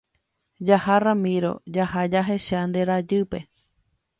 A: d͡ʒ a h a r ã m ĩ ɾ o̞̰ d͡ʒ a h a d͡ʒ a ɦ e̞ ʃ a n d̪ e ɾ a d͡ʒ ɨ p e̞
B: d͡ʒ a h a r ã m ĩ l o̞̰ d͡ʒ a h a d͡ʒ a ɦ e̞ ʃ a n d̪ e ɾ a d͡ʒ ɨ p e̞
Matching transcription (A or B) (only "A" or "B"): A